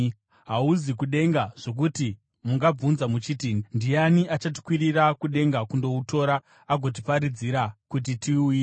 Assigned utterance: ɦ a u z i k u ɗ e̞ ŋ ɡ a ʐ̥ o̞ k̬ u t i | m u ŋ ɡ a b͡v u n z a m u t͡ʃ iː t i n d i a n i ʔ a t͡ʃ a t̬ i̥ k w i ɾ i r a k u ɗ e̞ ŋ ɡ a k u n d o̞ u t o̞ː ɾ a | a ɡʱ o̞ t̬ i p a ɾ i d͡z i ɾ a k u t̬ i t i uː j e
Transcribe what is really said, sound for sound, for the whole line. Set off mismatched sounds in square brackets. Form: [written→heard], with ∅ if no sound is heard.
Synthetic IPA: ɦ a u z i k u ɗ e̞ ŋ ɡ a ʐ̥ o̞ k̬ u t i | m u ŋ ɡ a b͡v u n z a m u t͡ʃ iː t i n d i a n i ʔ a t͡ʃ a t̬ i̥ k w i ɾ i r a k u ɗ e̞ ŋ ɡ a k u n d o̞ u t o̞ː ɾ a | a ɡʱ o̞ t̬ i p a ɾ i d͡z i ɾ a k u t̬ i t i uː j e

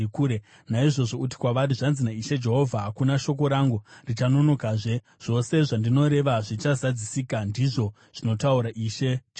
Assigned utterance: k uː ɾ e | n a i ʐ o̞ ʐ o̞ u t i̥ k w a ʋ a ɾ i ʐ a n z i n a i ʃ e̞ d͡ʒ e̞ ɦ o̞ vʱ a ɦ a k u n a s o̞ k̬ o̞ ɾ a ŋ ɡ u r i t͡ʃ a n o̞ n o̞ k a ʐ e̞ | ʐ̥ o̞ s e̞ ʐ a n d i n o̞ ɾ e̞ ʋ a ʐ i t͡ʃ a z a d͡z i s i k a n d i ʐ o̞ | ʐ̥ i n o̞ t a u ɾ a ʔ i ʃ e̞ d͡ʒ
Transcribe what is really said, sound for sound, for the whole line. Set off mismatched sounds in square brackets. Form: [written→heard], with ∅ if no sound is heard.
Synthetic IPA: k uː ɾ e | n a i ʐ o̞ ʐ o̞ u t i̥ k w a ʋ a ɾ i ʐ a n z i n a i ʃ e̞ d͡ʒ e̞ ɦ o̞ vʱ a ɦ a k u n a [s→ʃ] o̞ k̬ o̞ ɾ a ŋ ɡ u r i t͡ʃ a n o̞ n o̞ k a ʐ e̞ | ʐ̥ o̞ s e̞ ʐ a n d i n o̞ ɾ e̞ ʋ a ʐ i t͡ʃ a z a d͡z i s i k a n d i ʐ o̞ | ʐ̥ i n o̞ t a u ɾ a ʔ i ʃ e̞ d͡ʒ

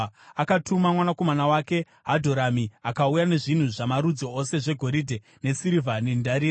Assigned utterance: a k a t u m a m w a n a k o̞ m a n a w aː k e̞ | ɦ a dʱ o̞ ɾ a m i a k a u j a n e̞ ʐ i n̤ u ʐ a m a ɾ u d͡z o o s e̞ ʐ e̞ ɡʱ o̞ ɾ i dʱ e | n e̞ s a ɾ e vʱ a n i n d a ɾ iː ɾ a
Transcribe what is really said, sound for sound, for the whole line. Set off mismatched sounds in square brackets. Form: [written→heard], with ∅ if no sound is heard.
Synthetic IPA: a k a t u m a m w a n a k o̞ m a n a w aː k e̞ | ɦ a dʱ o̞ ɾ a m i a k a u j a n e̞ ʐ i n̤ u ʐ a m a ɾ u d͡z o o s e̞ ʐ e̞ ɡʱ o̞ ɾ i dʱ e | n e̞ s [a→i] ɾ [e→i] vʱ a n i n d a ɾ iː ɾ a

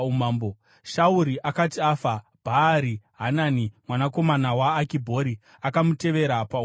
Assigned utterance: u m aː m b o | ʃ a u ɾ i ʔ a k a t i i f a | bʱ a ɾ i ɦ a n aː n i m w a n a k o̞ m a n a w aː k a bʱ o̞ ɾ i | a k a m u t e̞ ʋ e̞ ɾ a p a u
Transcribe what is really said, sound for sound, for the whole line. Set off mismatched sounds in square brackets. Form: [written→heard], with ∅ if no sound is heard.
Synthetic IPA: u m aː m b o | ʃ a u ɾ i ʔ a k a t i [i→a] f a | bʱ a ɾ i ɦ a n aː n i m w a n a k o̞ m a n a w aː k [a→i] bʱ o̞ ɾ i | a k a m u t e̞ ʋ e̞ ɾ a p a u

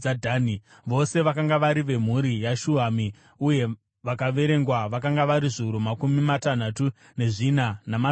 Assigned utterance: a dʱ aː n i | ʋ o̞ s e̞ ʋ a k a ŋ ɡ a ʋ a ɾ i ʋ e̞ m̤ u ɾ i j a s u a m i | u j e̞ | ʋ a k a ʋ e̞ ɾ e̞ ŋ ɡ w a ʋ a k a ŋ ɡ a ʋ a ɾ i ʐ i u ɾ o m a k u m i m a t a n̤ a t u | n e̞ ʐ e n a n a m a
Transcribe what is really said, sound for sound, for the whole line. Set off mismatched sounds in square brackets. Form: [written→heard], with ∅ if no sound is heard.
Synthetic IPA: a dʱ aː n i | ʋ o̞ s e̞ ʋ a k a ŋ ɡ a ʋ a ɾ i ʋ e̞ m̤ u ɾ i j a [s→ʃ] u a m i | u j e̞ | ʋ a k a ʋ e̞ ɾ e̞ ŋ ɡ w a ʋ a k a ŋ ɡ a ʋ a ɾ i ʐ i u ɾ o m a k u m i m a t a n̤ a t u | n e̞ ʐ [e→i] n a n a m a

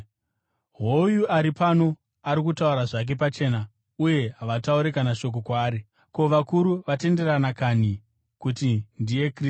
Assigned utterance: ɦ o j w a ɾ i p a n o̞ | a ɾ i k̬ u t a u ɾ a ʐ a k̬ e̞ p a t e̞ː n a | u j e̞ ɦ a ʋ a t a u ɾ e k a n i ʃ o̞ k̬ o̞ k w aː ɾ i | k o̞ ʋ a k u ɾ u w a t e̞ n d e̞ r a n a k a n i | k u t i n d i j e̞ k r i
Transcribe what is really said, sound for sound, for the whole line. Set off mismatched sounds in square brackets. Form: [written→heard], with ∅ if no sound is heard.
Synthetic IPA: ɦ o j [w→u] a ɾ i p a n o̞ | a ɾ i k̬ u t a u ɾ a ʐ a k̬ e̞ p a [t→t͡ʃ] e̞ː n a | u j e̞ ɦ a ʋ a t a u ɾ e k a n [i→a] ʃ o̞ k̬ o̞ k w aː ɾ i | k o̞ ʋ a k u ɾ u [w→ʋ] a t e̞ n d e̞ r a n a k a n i | k u t i n d i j e̞ k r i

